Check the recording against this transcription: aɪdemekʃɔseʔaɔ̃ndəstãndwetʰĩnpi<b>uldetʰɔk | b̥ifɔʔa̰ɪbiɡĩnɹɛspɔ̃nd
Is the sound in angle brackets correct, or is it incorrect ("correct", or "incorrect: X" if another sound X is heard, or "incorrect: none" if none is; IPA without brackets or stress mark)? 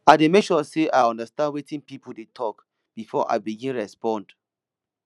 incorrect: p